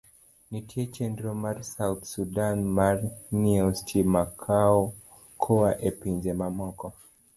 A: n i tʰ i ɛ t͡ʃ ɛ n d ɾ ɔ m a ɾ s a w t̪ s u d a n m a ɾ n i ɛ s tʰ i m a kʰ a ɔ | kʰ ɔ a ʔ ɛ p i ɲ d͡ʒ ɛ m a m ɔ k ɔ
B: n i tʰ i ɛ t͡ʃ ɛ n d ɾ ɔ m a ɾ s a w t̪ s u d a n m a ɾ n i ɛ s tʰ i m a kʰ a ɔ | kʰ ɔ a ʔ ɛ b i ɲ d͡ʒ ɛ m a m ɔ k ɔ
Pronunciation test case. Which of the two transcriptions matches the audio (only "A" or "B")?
A